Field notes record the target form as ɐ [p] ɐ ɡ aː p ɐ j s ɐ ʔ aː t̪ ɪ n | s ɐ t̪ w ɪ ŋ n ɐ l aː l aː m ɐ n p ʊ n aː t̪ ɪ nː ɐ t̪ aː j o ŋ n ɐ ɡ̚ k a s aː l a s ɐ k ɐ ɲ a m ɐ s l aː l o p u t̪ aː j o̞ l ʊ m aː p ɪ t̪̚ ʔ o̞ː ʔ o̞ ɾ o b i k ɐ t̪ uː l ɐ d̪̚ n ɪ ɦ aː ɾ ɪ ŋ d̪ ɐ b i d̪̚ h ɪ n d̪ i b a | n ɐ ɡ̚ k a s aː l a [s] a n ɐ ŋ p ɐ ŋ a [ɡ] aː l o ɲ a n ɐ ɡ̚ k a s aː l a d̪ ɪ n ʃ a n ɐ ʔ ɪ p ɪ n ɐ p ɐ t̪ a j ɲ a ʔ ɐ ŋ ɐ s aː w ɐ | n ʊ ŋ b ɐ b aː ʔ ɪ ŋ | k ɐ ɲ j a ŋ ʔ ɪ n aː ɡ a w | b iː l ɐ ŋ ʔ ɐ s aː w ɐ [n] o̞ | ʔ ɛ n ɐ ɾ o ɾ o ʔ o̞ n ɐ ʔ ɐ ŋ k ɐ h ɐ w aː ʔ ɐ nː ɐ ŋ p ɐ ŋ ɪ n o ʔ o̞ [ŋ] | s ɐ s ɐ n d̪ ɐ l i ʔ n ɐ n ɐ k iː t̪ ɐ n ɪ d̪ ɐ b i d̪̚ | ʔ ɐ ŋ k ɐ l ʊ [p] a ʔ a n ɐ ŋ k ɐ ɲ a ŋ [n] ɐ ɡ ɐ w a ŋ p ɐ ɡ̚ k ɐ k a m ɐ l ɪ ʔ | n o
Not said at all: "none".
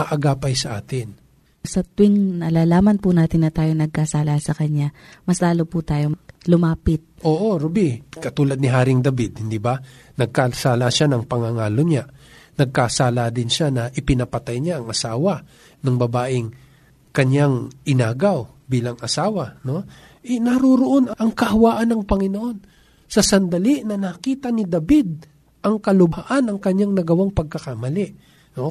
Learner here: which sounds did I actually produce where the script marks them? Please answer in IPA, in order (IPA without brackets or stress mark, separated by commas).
ʔ, ʃ, ŋ, n, n, b, n